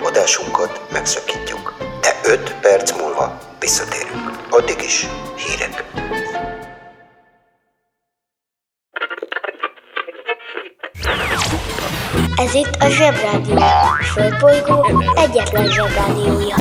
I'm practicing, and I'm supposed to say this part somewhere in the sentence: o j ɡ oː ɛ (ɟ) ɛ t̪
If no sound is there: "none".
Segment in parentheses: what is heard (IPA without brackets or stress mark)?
ɟː